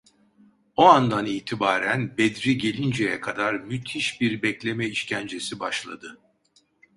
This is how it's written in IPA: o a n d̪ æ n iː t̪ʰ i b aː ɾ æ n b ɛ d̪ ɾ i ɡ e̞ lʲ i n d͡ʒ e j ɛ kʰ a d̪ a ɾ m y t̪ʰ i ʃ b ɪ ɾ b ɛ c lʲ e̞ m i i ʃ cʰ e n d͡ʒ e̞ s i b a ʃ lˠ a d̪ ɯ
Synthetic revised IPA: o a n d̪ a n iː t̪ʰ i b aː ɾ æ n b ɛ d̪ ɾ i ɟ e̞ lʲ i n d͡ʒ e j ɛ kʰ a d̪ a ɾ m y t̪ʰ i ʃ b i ɾ b ɛ c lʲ e̞ m ɛ i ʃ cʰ æ n d͡ʒ e̞ s i b a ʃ lˠ a d̪ ɯ

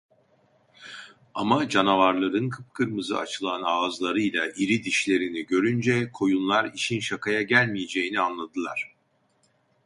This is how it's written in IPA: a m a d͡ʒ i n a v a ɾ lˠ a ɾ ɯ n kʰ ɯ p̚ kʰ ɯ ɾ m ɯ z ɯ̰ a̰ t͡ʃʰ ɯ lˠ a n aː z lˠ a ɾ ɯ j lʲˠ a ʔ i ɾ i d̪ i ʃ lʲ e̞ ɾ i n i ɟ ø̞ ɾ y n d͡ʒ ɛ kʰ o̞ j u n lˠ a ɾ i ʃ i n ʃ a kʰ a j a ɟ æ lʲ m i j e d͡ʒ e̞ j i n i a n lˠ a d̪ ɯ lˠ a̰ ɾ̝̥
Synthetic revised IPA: a m a d͡ʒ a n a v a ɾ lˠ a ɾ ɯ n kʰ ɯ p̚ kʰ ɯ ɾ m ɯ z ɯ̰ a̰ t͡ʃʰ ɯ lˠ a n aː z lˠ a ɾ ɯ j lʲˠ a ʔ i ɾ i d̪ i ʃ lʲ e̞ ɾ i n i ɟ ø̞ ɾ y n d͡ʒ ɛ kʰ o̞ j u n lˠ a ɾ i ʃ i n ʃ a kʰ a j a ɟ æ lʲ m i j e d͡ʒ e̞ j i n i a n lˠ a d̪ ɯ lˠ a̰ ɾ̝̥

